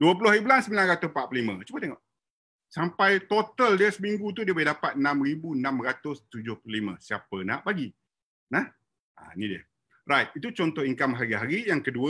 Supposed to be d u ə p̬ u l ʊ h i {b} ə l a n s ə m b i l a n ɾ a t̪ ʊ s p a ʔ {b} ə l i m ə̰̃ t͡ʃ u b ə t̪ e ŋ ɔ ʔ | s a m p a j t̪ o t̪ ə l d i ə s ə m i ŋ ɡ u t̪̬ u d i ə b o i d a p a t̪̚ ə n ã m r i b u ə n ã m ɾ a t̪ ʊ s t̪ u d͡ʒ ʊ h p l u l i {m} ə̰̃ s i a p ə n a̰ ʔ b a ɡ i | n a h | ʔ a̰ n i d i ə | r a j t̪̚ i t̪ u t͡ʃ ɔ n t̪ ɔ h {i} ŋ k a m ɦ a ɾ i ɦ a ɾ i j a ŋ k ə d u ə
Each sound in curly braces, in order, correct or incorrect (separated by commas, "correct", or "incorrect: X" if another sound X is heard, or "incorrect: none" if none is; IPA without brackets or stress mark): correct, incorrect: p, correct, correct